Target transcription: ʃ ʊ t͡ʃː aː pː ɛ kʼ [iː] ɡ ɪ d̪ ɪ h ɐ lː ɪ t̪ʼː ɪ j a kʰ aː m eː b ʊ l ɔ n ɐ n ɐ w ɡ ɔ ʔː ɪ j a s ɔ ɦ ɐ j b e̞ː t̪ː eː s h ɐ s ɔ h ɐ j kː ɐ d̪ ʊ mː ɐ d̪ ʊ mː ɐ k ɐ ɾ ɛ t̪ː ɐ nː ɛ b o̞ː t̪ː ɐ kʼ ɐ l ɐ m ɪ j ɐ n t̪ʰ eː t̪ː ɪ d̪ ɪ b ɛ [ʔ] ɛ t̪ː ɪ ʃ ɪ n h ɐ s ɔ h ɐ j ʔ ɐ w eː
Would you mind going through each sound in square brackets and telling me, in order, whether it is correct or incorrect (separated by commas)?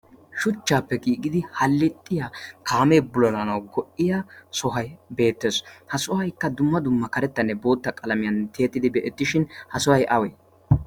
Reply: correct, correct